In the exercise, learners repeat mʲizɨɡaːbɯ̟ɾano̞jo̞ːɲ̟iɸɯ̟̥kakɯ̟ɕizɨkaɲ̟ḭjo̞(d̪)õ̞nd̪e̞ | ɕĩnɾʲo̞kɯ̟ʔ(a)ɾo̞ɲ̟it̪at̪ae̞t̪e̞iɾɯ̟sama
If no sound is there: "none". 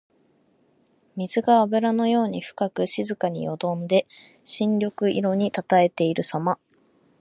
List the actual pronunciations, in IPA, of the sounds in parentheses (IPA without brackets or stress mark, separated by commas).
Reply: d̪, i